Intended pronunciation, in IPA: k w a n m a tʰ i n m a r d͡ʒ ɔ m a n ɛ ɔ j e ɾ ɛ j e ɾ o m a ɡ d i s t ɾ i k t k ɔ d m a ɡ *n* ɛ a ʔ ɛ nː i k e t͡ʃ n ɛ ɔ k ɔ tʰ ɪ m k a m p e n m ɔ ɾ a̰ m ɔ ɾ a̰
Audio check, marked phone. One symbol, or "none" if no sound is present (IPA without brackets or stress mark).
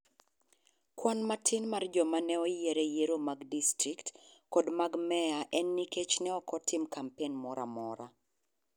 m